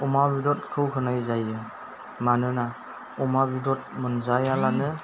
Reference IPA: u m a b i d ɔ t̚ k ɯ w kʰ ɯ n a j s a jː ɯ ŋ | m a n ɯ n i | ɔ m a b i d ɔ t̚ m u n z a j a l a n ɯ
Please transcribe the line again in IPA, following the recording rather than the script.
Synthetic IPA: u m a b i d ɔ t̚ kʰ ɯ w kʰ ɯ n a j z a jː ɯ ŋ | m a n ɯ n a | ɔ m a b i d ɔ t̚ m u n z a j a l a n ɯ

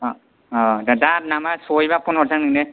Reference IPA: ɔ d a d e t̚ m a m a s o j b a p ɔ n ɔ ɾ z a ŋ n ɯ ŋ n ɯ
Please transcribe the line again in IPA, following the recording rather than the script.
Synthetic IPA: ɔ d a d a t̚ n a m a s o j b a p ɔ n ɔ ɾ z a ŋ n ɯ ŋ n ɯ

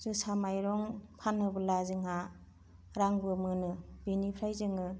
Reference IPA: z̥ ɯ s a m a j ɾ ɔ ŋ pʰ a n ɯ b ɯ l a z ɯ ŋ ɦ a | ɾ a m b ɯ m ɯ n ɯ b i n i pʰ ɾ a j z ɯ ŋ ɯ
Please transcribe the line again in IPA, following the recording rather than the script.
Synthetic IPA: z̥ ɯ s a m a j ɾ ɔ ŋ pʰ a n ɯ b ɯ l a z ɯ ŋ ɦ a | ɾ a ŋ b ɯ m ɯ n ɯ b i n i pʰ ɾ a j z ɯ ŋ ɯ

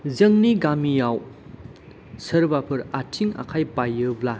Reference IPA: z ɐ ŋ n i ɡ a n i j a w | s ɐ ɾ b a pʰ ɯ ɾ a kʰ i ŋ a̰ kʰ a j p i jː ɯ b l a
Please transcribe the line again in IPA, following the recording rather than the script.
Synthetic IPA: z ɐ ŋ n i ɡ a m i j a w | s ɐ ɾ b a pʰ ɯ ɾ a tʰ i ŋ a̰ kʰ a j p a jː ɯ b l a

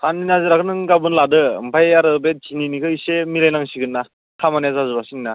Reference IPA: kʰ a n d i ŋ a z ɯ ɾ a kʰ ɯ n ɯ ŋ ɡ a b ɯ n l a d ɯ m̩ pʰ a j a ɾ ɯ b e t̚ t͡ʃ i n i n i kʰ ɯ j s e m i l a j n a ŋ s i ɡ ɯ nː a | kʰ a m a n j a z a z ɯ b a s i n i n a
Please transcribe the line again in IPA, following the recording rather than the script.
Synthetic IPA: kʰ a n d i n a z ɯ ɾ a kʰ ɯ n ɯ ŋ ɡ a b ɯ n l a d ɯ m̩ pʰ a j a ɾ ɯ b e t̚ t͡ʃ i n i n i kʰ ɯ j s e m i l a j n a ŋ s i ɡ ɯ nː a | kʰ a m a n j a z a z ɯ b a s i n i n a

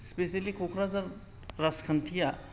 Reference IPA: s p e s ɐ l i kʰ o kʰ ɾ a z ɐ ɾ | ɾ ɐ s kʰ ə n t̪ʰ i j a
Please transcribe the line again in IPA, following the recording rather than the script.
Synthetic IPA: s p e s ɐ l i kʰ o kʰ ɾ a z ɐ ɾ | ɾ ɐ s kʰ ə n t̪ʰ i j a

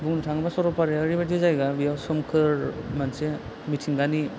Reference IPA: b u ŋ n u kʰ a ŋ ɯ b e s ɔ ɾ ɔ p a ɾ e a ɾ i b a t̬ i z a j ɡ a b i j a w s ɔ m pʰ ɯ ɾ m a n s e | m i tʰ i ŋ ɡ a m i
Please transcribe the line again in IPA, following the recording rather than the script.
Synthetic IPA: b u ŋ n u tʰ a ŋ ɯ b a s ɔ ɾ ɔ p a ɾ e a ɾ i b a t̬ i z a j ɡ a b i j a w s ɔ m kʰ ɯ ɾ m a n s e | m i tʰ i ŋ ɡ a n i

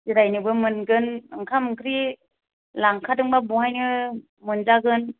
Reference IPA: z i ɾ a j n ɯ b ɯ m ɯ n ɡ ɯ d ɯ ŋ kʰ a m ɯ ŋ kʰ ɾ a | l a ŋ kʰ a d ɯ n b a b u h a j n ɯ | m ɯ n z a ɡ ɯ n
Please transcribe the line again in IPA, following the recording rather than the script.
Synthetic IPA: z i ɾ a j n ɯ b ɯ m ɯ n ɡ ɯ n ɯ ŋ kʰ a m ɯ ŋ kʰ ɾ i | l a ŋ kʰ a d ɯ ŋ b a b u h a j n ɯ | m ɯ n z a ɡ ɯ n

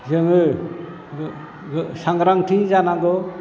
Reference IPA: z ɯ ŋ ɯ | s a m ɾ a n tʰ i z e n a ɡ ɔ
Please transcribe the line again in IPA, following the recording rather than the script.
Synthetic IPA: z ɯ ŋ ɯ | s a ŋ ɾ a ŋ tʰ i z a n a ɡ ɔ

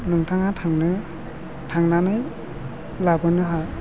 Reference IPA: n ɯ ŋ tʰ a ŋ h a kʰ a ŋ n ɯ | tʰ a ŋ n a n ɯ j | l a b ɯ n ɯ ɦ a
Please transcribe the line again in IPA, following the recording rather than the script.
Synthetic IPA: n ɯ ŋ tʰ a ŋ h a tʰ a ŋ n ɯ | tʰ a ŋ n a n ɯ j | l a b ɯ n ɯ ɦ a

